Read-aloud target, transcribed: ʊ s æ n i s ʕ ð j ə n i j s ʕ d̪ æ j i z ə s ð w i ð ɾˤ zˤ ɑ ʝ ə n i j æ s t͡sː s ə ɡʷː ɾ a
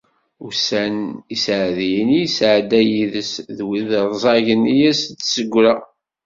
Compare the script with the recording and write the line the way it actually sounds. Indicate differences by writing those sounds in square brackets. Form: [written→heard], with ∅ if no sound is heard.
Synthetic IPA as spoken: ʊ s æ n i s ʕ ð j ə n i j s ʕ d̪ æ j i [z→ð] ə s ð w i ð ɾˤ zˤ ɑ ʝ ə n i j æ s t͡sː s ə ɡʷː ɾ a